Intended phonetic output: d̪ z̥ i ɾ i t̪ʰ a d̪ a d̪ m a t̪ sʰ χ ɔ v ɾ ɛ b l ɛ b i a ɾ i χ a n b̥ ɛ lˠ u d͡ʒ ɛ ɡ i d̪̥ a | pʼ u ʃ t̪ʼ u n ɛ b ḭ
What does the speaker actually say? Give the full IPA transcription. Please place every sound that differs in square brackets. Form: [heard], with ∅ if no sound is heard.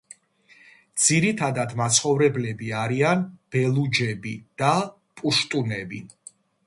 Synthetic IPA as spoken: d̪ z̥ i ɾ i t̪ʰ a d̪ a d̪ m a t̪ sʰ χ ɔ v ɾ ɛ b l ɛ b i a ɾ i [∅] a n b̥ ɛ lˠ u d͡ʒ ɛ [b] i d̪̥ a | pʼ u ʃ t̪ʼ u n ɛ b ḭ